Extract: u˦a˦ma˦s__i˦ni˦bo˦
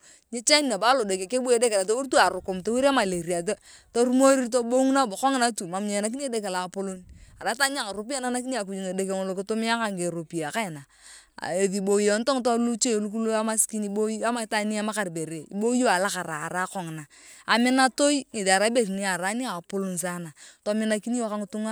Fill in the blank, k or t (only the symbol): k